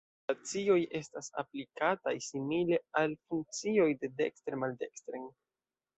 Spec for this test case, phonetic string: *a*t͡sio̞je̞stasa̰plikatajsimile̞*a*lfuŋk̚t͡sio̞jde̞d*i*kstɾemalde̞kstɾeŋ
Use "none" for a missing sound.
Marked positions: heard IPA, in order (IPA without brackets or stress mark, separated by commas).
a, a, e